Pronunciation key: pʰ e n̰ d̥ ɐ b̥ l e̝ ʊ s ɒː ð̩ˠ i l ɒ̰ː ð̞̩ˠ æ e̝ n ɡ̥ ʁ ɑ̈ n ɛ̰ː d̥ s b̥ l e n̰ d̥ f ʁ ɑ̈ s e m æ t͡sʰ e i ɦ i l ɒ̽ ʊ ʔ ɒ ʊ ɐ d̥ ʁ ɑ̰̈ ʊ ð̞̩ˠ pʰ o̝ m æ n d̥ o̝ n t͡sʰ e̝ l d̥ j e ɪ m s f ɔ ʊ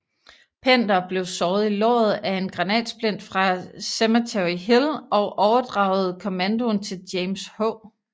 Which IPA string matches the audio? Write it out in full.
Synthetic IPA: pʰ e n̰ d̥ ɐ b̥ l e̝ ʊ s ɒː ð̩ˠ i l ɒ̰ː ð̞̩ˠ æ e̝ n ɡ̥ ʁ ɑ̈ n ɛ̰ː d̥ s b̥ l e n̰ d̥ f ʁ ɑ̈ s e m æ t͡sʰ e i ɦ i l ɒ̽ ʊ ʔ ɒ ʊ ɐ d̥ ʁ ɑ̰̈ ʊ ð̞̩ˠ kʰ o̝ m æ n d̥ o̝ n t͡sʰ e̝ l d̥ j e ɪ m s h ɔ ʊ